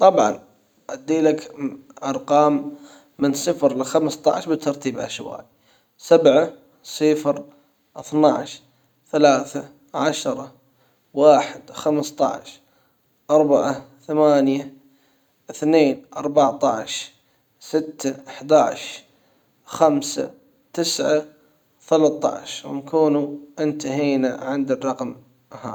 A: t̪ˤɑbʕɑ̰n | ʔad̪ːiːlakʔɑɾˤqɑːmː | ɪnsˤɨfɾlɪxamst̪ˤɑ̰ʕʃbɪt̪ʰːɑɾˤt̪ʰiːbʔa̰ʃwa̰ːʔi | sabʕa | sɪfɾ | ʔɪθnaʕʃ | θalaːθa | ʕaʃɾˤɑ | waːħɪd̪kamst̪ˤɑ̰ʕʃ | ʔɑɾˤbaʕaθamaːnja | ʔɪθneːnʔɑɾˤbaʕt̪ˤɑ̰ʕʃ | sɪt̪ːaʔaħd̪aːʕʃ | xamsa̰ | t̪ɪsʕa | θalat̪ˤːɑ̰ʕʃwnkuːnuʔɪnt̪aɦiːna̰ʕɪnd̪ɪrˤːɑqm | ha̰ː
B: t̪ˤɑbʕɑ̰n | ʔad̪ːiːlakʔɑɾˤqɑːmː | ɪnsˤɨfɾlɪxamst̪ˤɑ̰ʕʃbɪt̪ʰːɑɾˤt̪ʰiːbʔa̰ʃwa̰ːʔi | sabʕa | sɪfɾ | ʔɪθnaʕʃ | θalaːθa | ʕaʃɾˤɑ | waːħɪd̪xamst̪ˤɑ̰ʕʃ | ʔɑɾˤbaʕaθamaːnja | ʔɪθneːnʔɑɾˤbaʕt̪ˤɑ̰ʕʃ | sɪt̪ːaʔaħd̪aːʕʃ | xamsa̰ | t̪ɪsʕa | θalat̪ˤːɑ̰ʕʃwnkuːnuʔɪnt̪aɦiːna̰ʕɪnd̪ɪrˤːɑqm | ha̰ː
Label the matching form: B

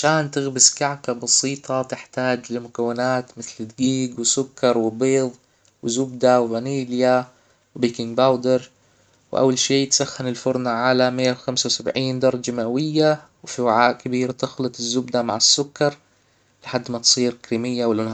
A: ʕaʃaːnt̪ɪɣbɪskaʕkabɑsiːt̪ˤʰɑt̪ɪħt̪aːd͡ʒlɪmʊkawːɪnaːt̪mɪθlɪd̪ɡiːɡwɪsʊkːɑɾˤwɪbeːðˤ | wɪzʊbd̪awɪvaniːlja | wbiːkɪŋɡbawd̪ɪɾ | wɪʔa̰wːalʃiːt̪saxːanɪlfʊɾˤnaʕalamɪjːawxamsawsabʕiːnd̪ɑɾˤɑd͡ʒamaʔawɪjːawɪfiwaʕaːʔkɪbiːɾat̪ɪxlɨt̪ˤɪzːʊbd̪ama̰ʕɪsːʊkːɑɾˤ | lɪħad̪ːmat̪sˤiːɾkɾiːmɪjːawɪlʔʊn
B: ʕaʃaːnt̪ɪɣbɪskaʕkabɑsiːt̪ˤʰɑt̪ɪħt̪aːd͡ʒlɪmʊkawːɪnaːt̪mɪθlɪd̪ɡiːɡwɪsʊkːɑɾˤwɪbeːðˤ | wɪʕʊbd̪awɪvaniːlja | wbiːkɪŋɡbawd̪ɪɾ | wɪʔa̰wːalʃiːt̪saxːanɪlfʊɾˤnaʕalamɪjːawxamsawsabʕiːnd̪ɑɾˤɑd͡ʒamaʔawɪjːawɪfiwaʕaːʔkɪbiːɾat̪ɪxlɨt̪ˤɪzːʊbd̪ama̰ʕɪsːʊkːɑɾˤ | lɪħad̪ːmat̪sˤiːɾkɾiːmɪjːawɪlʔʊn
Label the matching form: A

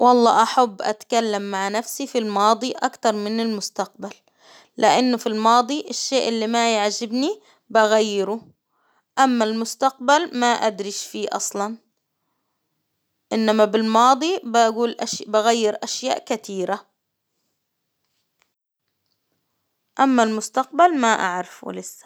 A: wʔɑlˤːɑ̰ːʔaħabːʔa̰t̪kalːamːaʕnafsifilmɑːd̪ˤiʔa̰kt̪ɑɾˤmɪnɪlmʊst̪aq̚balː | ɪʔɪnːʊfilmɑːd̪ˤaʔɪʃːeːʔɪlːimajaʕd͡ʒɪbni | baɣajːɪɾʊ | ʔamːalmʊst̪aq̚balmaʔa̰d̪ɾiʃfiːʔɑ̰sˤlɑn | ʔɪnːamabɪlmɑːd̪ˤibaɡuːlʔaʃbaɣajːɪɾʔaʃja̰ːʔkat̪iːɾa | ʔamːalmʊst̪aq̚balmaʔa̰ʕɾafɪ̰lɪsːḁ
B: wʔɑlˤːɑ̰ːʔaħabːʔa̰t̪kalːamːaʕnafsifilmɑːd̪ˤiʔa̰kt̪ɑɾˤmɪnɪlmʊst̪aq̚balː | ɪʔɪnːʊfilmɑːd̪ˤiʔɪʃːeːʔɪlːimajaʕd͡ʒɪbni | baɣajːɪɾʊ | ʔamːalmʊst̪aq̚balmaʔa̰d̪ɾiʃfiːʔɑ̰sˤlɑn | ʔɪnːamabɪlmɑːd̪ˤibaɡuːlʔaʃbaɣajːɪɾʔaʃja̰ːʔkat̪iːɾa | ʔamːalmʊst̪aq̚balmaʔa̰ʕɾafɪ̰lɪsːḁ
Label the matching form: B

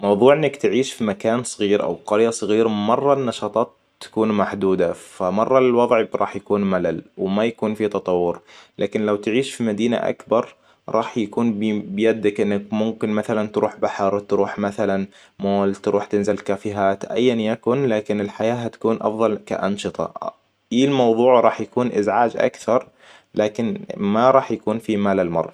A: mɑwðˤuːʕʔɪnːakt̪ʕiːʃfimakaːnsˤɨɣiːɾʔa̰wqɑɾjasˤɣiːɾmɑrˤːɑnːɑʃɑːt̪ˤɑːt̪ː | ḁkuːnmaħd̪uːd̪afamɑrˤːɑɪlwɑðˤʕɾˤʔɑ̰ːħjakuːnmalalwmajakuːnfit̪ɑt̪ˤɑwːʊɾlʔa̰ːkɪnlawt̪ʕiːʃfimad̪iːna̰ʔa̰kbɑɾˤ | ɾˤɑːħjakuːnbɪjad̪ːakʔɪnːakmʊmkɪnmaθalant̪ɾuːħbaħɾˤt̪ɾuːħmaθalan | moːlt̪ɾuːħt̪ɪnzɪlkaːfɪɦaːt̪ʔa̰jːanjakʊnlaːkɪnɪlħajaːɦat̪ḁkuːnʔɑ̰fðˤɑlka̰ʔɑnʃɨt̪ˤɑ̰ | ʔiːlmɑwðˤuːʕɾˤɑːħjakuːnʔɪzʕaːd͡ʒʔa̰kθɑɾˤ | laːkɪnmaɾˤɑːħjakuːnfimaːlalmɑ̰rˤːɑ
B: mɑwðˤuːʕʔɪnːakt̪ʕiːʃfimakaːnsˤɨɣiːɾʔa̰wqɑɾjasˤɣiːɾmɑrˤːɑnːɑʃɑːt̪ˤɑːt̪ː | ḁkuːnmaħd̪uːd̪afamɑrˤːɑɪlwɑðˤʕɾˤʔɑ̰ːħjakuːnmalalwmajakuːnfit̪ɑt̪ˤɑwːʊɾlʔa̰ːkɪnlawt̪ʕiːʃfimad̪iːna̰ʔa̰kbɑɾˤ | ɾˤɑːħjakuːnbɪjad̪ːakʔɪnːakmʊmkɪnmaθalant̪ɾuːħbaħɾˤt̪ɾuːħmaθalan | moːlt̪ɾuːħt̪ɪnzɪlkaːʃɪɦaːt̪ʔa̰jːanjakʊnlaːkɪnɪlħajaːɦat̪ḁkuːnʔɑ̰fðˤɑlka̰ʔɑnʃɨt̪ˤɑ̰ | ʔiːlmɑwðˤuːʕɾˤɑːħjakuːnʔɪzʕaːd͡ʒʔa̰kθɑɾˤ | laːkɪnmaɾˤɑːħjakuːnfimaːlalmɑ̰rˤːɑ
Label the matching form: A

